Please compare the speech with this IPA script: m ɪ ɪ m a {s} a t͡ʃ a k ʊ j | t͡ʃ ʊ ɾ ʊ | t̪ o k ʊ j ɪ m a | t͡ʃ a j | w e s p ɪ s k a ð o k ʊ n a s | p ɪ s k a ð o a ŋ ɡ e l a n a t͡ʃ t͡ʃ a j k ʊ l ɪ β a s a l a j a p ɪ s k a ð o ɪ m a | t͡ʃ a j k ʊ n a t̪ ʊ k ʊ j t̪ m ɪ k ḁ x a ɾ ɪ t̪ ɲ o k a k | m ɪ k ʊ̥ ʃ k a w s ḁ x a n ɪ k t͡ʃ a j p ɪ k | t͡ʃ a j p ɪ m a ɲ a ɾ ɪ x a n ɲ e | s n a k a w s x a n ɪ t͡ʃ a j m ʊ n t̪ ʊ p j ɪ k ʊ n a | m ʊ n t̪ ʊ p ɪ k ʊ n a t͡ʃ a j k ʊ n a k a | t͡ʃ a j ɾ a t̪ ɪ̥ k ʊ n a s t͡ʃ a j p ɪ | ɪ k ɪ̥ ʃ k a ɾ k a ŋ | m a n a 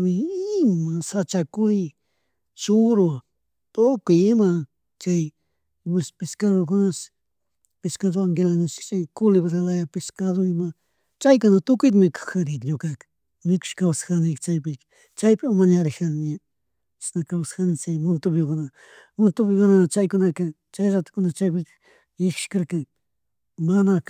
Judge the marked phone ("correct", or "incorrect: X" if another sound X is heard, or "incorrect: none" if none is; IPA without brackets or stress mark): correct